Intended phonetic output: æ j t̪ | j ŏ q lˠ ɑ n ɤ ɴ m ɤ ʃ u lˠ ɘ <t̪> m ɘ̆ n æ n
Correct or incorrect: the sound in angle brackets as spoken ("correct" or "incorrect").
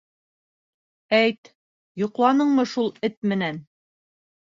correct